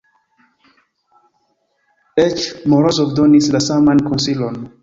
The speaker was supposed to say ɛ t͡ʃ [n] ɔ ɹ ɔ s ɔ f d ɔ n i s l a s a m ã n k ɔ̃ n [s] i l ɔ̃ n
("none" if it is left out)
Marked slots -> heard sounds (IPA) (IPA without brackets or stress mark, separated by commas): m, s